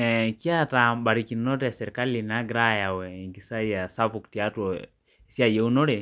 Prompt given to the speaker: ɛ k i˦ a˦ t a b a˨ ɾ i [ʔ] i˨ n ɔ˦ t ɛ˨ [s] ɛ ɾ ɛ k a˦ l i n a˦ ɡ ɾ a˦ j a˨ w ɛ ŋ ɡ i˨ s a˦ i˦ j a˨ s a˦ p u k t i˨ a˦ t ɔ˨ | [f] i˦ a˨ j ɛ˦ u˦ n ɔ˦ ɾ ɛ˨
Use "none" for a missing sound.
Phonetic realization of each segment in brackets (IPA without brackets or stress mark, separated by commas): k, s, s